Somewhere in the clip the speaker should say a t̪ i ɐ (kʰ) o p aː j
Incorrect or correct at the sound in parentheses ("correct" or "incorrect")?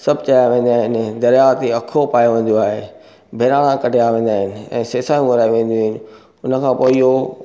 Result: correct